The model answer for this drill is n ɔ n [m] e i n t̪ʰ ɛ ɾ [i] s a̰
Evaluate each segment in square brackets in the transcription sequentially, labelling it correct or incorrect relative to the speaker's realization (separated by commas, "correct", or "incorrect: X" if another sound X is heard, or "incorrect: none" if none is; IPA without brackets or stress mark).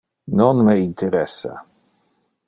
correct, incorrect: ɛ